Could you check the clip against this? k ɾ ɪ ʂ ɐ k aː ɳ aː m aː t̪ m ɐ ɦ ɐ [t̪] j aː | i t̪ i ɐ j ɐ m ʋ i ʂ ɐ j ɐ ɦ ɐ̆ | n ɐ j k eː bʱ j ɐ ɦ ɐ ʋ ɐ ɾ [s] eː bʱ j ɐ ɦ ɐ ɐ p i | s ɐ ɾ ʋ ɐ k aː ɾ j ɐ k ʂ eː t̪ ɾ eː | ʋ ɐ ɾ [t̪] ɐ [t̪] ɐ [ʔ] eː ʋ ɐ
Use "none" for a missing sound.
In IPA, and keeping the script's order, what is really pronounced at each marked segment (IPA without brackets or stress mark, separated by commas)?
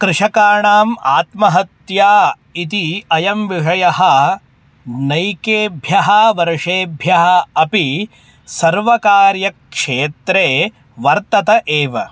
t̪, ʂ, t̪, t̪, ʔ